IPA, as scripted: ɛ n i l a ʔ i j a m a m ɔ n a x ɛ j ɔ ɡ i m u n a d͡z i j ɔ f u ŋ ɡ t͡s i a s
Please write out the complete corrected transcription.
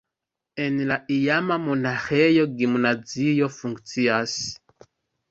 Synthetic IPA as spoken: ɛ n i l a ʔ i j a m a m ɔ n a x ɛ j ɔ ɡ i m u n a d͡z i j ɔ f u ŋ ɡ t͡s i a s